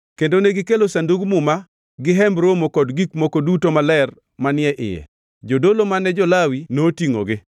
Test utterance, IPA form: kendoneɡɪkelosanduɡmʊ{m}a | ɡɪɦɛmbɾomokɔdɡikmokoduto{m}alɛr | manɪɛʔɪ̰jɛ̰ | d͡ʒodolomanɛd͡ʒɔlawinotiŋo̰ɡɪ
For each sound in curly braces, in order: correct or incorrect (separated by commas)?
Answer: correct, correct